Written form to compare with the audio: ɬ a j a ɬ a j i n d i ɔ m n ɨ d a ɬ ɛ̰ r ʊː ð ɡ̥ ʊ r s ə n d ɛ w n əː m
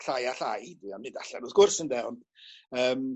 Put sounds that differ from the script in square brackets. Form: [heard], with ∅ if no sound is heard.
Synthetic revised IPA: ɬ a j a ɬ a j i [∅] d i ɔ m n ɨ d a ɬ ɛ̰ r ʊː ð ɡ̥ ʊ r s ə n d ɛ w n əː m